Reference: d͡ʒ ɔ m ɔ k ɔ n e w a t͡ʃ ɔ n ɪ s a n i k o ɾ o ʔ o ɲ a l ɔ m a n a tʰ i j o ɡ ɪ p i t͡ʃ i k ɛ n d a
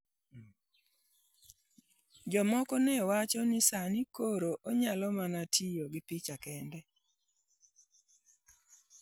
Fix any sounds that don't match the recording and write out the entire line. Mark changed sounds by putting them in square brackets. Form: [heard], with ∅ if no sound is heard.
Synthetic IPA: d͡ʒ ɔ m ɔ k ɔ n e w a t͡ʃ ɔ n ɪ s a n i k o ɾ o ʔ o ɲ a l ɔ m a n a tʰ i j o ɡ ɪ p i t͡ʃ [a] k ɛ n d [ɛ]